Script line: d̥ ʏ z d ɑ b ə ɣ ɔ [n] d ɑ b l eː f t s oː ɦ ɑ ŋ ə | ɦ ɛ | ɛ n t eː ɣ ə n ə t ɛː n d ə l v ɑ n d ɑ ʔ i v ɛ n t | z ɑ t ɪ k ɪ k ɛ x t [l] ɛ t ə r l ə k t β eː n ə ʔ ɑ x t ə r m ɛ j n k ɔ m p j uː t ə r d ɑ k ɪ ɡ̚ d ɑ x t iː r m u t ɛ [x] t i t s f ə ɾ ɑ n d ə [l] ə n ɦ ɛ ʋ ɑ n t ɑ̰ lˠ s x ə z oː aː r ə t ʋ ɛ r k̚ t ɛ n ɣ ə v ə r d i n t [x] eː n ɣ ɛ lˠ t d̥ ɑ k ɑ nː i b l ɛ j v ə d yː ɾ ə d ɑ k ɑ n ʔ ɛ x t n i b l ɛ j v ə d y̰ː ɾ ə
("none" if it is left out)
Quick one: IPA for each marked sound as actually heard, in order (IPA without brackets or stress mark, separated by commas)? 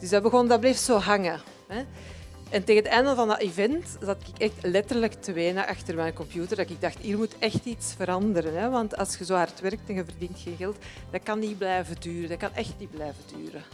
n, l, x, ɾ, x